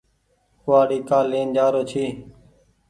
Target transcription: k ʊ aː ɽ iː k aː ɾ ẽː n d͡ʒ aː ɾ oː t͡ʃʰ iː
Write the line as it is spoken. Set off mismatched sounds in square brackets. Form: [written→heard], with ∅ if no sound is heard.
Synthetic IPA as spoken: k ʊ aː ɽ iː k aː [ɾ→l] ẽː n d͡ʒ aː ɾ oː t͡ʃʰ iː